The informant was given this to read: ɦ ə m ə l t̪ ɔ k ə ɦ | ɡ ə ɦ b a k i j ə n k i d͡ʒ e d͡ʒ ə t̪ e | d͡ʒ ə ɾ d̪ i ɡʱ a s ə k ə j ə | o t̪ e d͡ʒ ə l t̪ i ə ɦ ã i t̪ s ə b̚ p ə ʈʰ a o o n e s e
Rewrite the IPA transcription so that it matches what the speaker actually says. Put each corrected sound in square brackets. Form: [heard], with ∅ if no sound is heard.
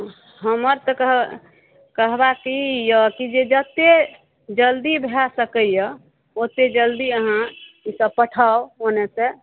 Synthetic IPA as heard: ɦ ə m ə [ɾ] t̪ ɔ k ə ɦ | [k] ə ɦ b a k i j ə [∅] k i d͡ʒ e d͡ʒ ə t̪ e | d͡ʒ ə [l] d̪ i [bʱ] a s ə k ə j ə | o t̪ e d͡ʒ ə l [d̪] i ə ɦ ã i [∅] s ə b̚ p ə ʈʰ a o o n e s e